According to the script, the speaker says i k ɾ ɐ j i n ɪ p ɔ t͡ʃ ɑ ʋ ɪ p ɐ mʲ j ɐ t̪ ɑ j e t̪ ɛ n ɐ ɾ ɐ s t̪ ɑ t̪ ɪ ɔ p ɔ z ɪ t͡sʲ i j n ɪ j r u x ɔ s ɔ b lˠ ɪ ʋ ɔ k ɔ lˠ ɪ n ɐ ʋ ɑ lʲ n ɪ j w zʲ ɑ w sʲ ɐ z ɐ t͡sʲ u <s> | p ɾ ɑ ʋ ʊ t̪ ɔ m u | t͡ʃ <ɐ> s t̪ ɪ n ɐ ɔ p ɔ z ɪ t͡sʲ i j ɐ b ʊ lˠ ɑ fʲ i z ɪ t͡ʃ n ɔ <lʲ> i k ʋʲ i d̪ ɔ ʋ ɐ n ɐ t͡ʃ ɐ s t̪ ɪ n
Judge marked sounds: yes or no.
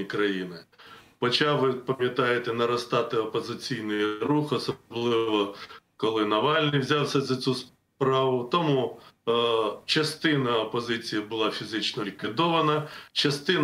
yes, yes, yes

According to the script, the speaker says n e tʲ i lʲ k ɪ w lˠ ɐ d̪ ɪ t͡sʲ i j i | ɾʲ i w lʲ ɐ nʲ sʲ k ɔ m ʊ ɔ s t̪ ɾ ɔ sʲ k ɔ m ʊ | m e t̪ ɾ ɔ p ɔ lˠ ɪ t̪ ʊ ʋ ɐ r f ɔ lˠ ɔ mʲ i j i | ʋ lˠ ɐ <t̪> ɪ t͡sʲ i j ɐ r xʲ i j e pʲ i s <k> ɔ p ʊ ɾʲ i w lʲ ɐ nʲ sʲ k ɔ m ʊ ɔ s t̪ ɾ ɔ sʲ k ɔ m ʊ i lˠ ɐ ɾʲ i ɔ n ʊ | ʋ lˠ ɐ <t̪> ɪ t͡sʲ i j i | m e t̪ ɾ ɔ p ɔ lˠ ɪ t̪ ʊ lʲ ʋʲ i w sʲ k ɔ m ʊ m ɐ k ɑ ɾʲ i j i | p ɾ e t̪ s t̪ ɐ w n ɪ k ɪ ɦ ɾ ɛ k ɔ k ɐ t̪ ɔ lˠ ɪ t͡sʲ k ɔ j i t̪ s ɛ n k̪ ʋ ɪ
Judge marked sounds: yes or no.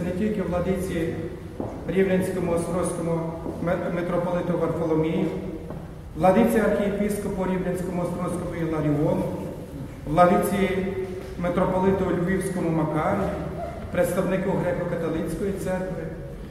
no, yes, no

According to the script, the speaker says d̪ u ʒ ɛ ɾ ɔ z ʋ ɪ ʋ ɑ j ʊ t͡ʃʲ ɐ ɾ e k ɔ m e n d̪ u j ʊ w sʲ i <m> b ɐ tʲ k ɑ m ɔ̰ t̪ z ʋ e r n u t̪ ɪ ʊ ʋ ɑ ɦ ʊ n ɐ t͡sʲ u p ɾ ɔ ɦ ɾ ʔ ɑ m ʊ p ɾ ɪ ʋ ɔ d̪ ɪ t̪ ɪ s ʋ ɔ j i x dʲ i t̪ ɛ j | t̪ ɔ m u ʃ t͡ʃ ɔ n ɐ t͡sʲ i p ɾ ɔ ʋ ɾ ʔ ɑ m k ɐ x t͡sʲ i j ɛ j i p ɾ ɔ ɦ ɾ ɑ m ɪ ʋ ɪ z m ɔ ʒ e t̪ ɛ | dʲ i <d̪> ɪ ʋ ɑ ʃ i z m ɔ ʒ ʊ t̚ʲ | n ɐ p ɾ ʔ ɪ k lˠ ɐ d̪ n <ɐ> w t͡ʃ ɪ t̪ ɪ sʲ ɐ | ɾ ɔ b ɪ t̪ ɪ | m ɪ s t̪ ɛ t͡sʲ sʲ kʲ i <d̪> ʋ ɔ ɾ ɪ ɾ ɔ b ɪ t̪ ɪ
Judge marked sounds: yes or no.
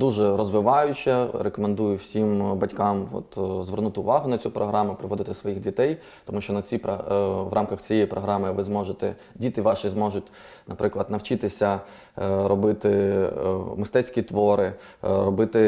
yes, no, yes, no

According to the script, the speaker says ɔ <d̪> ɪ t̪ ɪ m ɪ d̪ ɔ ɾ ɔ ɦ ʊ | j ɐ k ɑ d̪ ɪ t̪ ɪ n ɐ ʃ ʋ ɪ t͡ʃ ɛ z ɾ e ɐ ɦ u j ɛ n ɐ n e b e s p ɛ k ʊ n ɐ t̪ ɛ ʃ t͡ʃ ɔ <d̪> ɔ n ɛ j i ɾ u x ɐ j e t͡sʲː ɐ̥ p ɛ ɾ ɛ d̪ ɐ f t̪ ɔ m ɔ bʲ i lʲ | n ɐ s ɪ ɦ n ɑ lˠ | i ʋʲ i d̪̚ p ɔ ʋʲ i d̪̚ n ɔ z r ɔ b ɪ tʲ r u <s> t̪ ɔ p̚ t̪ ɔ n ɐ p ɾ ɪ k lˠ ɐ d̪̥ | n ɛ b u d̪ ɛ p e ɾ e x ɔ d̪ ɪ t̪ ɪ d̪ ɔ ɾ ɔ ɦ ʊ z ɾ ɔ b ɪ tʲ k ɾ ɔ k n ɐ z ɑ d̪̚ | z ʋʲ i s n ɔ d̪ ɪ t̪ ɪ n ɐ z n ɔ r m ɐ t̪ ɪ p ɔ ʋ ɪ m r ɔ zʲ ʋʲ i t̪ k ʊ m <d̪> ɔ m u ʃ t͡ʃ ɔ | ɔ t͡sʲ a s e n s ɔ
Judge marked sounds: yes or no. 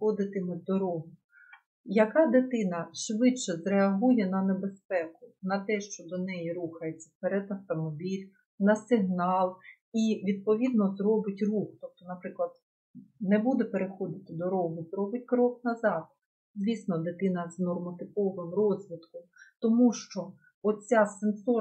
yes, yes, no, no

